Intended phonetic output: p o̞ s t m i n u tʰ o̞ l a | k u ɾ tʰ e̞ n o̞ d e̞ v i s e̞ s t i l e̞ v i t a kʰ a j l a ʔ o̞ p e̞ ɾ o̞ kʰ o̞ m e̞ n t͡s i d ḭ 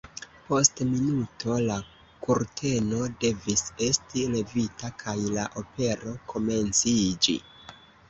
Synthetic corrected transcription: p o̞ s t m i n u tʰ o̞ l a | k u ɾ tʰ e̞ n o̞ d e̞ v i s e̞ s t i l e̞ v i t a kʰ a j l a ʔ o̞ p e̞ ɾ o̞ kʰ o̞ m e̞ n t͡s i d͡ʒ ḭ